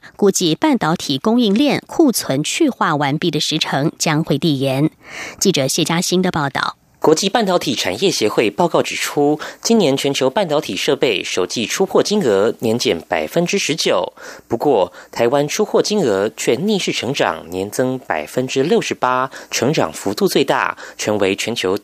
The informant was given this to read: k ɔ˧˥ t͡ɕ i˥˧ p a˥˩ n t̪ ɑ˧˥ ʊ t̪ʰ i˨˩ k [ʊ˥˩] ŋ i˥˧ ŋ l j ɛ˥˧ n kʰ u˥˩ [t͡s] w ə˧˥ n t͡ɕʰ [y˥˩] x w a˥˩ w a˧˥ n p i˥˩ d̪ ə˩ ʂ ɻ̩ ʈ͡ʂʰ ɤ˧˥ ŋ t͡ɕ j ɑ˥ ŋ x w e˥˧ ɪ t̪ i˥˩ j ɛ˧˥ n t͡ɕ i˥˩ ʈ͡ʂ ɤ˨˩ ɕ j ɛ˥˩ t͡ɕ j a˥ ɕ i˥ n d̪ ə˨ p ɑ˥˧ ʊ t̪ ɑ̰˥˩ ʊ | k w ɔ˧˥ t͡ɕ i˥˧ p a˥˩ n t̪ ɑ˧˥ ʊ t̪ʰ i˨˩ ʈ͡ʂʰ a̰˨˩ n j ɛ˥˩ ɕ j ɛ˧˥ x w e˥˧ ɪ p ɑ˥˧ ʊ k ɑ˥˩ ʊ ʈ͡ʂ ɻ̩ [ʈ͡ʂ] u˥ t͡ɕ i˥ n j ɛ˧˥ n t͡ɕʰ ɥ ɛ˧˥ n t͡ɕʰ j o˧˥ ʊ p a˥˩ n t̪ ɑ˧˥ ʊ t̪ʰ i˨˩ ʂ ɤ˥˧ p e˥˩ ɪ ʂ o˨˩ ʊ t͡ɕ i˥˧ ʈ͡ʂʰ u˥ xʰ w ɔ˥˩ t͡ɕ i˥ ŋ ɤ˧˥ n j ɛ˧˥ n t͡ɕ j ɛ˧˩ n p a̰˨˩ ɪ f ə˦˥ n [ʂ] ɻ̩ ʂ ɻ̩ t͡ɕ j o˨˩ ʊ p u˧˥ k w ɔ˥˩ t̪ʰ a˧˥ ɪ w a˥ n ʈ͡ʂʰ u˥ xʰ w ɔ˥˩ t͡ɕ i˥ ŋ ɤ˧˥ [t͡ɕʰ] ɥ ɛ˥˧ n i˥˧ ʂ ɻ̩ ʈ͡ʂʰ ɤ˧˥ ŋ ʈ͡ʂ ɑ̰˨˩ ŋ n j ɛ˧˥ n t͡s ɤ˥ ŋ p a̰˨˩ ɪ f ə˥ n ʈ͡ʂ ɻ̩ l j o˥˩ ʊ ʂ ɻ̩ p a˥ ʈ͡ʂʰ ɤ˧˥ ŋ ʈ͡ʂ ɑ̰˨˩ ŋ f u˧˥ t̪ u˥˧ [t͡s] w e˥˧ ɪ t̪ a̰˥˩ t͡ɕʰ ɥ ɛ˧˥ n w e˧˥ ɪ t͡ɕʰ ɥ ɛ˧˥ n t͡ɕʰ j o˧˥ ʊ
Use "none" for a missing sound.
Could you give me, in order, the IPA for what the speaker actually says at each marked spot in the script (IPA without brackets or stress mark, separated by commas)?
ʊ˥, t͡sʰ, y˥˧, ʈ͡ʂʰ, ʈ͡ʂ, t͡ɕʰ, t͡s